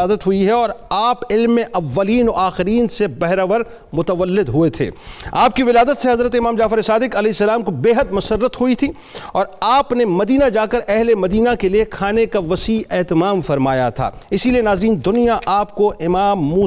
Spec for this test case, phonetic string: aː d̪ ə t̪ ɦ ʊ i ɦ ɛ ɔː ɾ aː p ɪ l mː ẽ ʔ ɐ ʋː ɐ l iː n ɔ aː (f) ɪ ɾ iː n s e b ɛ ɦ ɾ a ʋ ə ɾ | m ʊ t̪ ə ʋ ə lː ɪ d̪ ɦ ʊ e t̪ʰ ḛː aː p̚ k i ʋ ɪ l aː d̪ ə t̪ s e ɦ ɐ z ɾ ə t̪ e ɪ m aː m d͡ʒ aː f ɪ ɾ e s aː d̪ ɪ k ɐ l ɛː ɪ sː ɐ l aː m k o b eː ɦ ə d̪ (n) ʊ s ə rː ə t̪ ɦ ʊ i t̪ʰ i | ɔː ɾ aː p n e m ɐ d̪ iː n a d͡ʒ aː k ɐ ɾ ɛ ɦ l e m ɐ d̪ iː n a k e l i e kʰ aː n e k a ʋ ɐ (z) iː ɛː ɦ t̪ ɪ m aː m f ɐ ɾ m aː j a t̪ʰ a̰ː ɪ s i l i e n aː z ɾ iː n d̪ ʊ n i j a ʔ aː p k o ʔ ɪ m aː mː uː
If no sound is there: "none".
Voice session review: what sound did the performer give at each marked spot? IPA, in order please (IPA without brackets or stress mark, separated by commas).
x, m, s